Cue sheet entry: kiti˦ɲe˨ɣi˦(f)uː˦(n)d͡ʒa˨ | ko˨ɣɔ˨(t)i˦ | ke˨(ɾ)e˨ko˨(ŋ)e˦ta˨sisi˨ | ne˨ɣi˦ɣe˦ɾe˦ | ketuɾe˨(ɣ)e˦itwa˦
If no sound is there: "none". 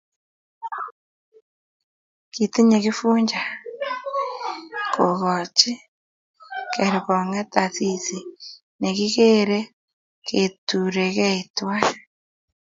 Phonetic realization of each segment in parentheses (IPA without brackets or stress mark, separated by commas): f, ɲ, t͡ʃ, ɾ, ŋ, ɣ